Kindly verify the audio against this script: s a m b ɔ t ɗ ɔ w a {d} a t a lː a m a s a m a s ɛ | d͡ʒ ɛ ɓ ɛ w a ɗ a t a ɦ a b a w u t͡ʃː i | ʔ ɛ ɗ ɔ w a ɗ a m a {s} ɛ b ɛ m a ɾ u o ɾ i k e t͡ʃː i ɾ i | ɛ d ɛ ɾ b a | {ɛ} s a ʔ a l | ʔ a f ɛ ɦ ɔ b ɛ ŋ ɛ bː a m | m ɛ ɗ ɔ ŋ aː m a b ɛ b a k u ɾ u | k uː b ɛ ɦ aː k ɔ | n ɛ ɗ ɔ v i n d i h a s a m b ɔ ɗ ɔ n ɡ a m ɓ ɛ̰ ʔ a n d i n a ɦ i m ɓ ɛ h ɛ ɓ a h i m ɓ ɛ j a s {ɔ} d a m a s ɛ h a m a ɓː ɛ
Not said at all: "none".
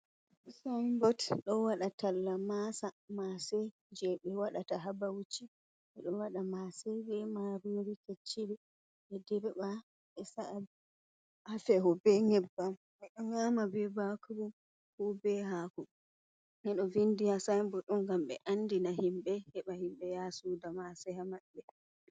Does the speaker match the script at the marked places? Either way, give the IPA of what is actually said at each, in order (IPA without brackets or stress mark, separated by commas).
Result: ɗ, s, ɛ, u